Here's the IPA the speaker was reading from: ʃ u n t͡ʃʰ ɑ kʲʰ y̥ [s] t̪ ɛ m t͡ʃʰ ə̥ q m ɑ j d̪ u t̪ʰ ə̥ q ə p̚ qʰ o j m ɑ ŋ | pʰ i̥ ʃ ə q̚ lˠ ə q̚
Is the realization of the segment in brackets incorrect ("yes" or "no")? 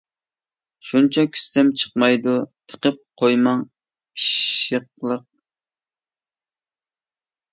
no